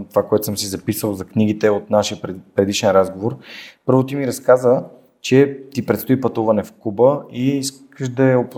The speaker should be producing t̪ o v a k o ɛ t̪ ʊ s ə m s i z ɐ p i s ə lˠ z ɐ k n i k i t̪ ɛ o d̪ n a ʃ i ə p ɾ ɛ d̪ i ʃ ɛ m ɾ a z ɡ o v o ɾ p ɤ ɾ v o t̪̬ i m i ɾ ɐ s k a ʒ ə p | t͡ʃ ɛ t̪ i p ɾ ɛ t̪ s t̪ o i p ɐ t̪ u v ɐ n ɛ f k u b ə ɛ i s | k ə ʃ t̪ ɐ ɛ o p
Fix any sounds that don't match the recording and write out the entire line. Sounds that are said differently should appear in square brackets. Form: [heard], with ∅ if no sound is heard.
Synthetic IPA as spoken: t̪ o v a k o ɛ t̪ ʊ s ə m s i z ɐ p i s ə lˠ z ɐ k n i [ɡ] i t̪ ɛ o [t̪] n a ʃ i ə p ɾ ɛ d̪ i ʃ ɛ [n] ɾ a z ɡ o v o ɾ p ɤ ɾ v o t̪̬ i m i ɾ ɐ s k a [z] ə [∅] | t͡ʃ ɛ t̪ i p ɾ ɛ t̪ s t̪ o i p ɐ t̪ u v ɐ n ɛ f k u b ə [i] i s | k ə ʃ [d̪] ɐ ɛ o p